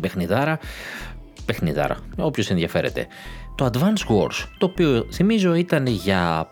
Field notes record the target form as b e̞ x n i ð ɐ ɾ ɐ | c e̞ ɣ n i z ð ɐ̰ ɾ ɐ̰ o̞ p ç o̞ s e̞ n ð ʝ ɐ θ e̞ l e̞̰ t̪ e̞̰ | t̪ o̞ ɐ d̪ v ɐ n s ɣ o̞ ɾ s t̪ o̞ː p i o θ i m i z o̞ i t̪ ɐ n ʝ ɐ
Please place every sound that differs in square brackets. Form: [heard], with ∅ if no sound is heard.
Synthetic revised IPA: b e̞ x n i ð ɐ ɾ ɐ | [p] e̞ [x] n i [∅] ð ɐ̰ ɾ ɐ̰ o̞ p ç o̞ s e̞ n ð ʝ ɐ [f] e̞ [ɾ] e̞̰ t̪ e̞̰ | t̪ o̞ ɐ d̪ v ɐ n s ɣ o̞ ɾ s t̪ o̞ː p i o θ i m i z o̞ i t̪ ɐ n ʝ ɐ